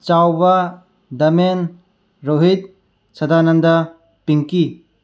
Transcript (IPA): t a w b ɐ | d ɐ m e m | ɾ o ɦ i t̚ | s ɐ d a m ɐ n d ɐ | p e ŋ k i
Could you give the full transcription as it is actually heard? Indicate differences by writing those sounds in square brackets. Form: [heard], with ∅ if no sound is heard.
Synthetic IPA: [t͡ʃ] a w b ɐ | d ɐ m e [n] | ɾ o ɦ i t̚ | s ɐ d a [n] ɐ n d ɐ | p [i] ŋ k i